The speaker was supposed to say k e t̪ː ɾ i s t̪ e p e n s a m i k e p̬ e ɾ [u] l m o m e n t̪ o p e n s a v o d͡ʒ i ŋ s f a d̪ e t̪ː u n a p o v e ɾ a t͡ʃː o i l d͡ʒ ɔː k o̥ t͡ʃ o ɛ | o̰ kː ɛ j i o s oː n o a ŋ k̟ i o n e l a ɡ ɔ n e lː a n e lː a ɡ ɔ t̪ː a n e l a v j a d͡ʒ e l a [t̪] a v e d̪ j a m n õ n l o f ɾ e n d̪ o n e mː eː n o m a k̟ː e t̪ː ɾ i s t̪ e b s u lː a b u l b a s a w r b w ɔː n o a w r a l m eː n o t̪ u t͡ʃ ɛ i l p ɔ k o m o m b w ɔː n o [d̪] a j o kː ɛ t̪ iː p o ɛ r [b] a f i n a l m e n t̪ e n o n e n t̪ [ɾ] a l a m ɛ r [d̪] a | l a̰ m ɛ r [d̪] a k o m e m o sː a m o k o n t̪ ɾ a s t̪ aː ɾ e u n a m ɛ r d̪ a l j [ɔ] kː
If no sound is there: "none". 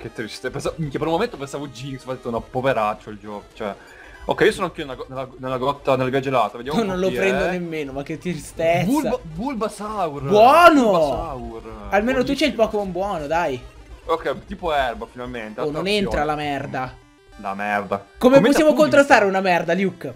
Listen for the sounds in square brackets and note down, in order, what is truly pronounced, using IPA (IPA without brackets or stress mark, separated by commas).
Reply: u, t̪, d̪, b, ɾ, d̪, d̪, u